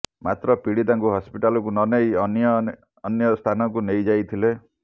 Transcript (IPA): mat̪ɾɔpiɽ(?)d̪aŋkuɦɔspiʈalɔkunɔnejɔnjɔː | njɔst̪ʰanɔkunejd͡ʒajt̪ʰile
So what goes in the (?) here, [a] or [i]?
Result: i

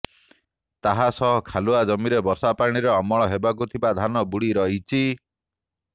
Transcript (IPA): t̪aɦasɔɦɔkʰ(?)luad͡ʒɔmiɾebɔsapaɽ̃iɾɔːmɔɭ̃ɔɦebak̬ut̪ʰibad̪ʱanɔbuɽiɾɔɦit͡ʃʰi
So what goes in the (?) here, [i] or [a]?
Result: a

